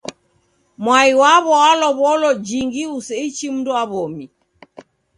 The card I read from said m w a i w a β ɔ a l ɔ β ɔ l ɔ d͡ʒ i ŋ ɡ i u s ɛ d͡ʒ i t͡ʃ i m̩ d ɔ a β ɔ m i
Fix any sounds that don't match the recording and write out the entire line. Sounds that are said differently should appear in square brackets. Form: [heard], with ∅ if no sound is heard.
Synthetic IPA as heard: m w a i w a β ɔ a l ɔ β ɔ l ɔ d͡ʒ i ŋ ɡ i u s ɛ [∅] i t͡ʃ i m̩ d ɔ a β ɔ m i